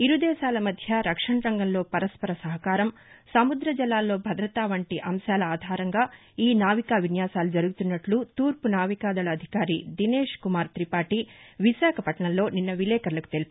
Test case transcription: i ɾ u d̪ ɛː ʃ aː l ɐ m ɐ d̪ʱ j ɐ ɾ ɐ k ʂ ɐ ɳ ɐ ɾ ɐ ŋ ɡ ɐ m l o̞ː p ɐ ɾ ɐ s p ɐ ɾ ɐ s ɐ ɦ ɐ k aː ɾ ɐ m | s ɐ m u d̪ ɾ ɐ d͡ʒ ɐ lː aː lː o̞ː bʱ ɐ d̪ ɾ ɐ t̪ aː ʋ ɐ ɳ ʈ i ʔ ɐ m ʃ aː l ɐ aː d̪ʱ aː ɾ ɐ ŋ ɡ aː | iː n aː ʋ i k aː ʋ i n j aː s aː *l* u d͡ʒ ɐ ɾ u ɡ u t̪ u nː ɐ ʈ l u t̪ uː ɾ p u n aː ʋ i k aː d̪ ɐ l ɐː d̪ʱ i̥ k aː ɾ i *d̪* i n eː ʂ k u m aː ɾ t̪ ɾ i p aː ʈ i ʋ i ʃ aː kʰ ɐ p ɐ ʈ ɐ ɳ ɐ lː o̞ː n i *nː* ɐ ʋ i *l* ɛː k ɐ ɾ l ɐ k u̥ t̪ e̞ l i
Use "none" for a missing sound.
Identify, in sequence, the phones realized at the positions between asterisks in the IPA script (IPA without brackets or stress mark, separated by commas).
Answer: l, d̪, nː, l